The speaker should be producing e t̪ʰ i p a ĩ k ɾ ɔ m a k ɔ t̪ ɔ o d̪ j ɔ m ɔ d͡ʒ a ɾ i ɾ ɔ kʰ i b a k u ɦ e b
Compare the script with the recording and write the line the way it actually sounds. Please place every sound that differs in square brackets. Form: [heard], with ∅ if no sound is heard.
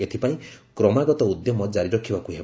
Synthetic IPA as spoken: e t̪ʰ i p a ĩ k ɾ ɔ m a [ɡ] ɔ t̪ ɔ [u] d̪ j ɔ m ɔ d͡ʒ a ɾ i ɾ ɔ kʰ i b a k u ɦ e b